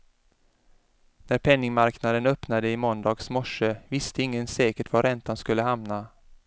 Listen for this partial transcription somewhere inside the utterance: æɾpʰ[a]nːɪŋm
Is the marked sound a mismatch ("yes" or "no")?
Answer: yes